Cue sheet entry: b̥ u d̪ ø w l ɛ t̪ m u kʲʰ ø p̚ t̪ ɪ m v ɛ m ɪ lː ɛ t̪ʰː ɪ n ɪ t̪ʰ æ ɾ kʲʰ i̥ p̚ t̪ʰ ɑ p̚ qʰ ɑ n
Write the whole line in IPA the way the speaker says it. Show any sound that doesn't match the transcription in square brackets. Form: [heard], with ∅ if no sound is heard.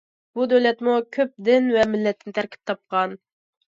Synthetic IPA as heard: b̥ u d̪ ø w l ɛ t̪ m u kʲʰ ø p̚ [d̪] ɪ [n] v ɛ m ɪ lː ɛ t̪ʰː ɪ n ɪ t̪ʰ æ ɾ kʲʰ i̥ p̚ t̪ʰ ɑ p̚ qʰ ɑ n